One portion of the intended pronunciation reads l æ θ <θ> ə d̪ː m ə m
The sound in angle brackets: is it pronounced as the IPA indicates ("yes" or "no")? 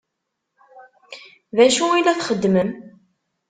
no